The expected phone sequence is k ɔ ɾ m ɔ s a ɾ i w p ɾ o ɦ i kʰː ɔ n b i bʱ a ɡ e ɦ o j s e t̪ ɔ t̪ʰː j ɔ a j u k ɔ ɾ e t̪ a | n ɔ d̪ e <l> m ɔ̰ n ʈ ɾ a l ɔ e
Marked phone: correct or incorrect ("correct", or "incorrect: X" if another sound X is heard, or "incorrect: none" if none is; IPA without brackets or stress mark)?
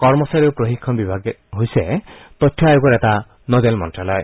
correct